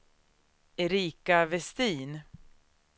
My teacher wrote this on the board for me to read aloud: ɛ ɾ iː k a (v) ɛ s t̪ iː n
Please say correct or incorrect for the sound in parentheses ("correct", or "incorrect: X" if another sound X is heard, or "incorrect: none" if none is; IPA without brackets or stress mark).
correct